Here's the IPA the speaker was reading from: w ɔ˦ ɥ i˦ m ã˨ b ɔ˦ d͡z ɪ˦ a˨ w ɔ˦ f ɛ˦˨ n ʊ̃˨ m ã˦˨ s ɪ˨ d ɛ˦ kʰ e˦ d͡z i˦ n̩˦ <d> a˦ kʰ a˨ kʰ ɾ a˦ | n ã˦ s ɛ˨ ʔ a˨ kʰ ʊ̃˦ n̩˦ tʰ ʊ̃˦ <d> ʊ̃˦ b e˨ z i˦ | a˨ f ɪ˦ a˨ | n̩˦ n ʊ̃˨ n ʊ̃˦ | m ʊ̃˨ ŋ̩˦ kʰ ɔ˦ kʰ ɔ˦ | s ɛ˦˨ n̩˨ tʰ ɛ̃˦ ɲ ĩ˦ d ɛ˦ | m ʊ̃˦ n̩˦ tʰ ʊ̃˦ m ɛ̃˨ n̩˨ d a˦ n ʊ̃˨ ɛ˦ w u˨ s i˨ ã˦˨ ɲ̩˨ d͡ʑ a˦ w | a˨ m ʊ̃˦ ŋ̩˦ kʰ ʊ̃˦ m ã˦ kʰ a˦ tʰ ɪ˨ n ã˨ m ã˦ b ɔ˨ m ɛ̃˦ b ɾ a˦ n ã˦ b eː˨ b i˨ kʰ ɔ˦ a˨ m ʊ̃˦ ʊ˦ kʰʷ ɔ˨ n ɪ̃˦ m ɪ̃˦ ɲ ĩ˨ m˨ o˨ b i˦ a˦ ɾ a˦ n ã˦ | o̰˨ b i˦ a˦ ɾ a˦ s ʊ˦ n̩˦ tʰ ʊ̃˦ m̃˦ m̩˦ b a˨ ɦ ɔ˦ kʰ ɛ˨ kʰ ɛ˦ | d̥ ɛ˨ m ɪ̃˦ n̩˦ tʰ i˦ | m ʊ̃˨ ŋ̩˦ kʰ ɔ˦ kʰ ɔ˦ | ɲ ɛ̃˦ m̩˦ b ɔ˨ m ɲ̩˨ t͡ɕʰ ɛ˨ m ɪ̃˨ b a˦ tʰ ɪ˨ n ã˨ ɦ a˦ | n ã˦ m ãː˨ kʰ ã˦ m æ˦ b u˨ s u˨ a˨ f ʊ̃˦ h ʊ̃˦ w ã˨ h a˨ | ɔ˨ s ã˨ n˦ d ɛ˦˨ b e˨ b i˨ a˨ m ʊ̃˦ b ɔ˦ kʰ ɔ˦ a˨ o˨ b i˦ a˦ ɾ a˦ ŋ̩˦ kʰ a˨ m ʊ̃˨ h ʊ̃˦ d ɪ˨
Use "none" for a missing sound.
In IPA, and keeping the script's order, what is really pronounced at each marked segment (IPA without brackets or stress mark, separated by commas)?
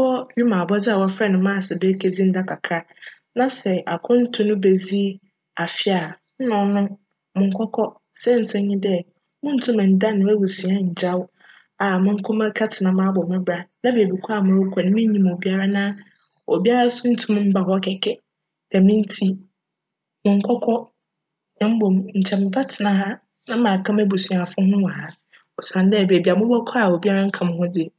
d, n